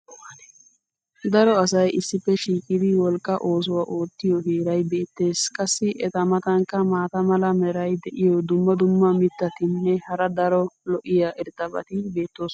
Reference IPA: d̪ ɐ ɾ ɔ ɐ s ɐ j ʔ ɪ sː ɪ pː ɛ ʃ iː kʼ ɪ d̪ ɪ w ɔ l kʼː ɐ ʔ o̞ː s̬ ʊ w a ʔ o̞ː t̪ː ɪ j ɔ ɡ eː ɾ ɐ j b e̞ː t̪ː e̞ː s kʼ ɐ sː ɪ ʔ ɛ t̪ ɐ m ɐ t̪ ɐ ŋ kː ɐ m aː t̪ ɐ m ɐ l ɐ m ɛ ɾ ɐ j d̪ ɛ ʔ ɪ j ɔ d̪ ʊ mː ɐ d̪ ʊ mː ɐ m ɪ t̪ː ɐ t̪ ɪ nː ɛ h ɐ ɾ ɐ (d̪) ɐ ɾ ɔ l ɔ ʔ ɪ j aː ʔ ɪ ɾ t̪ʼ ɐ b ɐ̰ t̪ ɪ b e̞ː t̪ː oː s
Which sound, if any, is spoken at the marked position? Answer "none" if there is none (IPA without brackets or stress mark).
d̪